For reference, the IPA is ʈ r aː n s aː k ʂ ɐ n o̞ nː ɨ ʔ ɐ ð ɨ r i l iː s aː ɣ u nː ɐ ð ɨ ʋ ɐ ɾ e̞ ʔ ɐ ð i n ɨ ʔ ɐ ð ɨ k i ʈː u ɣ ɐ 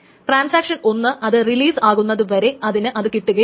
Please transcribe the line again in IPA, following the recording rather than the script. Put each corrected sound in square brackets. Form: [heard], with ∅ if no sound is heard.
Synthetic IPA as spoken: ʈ r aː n s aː k ʂ ɐ n o̞ nː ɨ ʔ ɐ ð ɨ r i l iː s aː ɣ u nː ɐ ð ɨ ʋ ɐ ɾ e̞ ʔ ɐ ð i n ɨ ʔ ɐ ð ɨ k i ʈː u ɣ ɐ